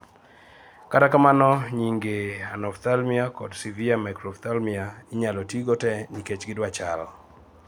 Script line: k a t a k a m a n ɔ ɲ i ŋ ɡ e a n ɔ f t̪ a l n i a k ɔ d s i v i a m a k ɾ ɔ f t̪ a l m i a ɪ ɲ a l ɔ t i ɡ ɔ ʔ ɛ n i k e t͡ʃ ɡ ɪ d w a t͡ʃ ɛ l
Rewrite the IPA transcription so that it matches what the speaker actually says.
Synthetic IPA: k a t a k a m a n ɔ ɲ i ŋ ɡ e a n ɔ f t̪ a l m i a k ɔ d s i v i a m a k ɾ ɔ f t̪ a l m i a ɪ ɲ a l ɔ t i ɡ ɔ t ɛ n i k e t͡ʃ ɡ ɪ d w a t͡ʃ a l